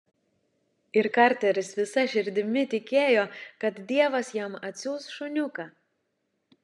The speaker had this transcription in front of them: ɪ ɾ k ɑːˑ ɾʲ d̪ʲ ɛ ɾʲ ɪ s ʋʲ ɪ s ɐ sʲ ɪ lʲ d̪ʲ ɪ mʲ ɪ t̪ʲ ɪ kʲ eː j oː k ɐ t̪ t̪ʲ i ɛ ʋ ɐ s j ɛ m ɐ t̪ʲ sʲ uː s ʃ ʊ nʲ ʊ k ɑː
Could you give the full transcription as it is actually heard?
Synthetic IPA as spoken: ɪ ɾ k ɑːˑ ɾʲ t̪ʲ ɛ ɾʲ ɪ s ʋʲ ɪ s ɐ ʃʲ ɪ ɾʲ d̪ʲ ɪ mʲ ɪ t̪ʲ ɪ kʲ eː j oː k ɐ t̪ d̪ʲ i ɛ ʋ ɐ s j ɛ m ɐ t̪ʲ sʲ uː s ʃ ʊ nʲ ʊ k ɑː